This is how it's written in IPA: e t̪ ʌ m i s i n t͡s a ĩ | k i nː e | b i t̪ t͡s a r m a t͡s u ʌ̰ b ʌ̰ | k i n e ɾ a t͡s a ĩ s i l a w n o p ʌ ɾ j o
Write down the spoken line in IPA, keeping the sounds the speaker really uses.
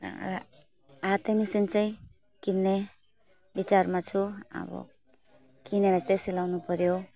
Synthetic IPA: a t̪ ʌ m i s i n t͡s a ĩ | k i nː e | b i t͡s a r m a t͡sʰ u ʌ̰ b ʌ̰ | k i n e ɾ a t͡s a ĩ s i l a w n u p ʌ ɾ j o